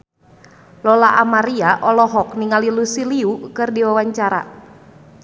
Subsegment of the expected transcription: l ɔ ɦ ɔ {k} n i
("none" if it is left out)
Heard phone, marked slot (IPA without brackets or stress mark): k